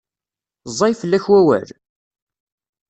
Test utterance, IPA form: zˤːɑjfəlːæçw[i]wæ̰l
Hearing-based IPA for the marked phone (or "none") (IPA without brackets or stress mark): æ